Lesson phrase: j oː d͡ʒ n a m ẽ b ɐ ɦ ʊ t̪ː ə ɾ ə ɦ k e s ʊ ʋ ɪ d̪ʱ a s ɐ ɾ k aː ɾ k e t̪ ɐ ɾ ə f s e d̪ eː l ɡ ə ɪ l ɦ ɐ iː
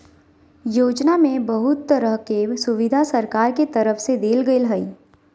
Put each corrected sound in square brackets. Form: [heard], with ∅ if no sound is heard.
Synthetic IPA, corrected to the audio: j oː d͡ʒ n a m ẽ b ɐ ɦ ʊ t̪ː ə ɾ ə ɦ k e s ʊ ʋ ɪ d̪ʱ a s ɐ ɾ k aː ɾ k e t̪ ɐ ɾ ə f s e d̪ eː l ɡ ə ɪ l ɦ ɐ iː